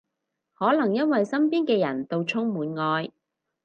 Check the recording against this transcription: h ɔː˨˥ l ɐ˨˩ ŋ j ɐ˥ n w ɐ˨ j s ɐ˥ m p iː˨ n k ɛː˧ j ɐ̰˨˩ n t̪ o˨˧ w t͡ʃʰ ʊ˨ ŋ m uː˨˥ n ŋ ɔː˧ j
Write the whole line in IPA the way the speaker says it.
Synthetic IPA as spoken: h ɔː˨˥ l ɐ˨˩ ŋ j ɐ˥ n w ɐ˨ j s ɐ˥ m p iː˥ n k ɛː˧ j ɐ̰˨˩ n t̪ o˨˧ w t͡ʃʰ ʊ˥ ŋ m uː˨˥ n ŋ ɔː˧ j